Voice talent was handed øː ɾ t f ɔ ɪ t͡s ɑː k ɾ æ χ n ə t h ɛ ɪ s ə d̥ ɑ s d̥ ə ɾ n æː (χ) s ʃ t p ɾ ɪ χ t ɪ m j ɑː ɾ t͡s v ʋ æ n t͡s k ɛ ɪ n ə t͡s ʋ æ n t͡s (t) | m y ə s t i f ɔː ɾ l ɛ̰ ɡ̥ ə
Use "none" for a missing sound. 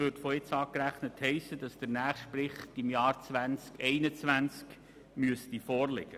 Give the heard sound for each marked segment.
χ, k

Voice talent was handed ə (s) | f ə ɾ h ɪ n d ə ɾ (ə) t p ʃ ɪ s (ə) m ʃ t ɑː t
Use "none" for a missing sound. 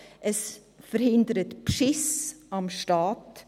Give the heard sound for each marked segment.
s, ə, ɑ

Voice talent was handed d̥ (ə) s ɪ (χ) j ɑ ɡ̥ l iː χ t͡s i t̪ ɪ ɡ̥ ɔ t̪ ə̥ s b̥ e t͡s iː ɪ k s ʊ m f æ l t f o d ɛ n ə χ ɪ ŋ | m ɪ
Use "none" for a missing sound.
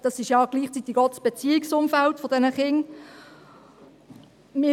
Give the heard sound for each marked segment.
ɑ, ʃ

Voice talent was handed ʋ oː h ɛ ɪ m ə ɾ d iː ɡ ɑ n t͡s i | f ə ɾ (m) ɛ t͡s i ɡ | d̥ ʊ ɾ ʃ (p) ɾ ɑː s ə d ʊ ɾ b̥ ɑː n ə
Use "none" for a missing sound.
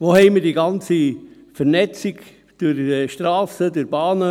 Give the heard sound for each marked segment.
n, t

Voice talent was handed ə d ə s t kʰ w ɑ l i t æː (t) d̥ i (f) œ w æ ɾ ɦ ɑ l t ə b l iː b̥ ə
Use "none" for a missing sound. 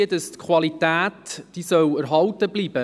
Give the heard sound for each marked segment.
t, s

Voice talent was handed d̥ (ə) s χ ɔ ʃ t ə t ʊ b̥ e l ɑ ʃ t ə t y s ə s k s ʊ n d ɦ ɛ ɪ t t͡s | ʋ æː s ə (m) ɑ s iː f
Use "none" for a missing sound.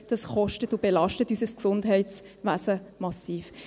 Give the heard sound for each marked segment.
ɑ, m

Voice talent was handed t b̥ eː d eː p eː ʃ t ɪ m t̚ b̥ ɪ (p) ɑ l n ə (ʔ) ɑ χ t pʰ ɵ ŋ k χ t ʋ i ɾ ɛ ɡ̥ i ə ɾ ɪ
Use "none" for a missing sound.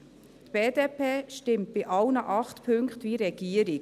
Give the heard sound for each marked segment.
ʔ, ʔ

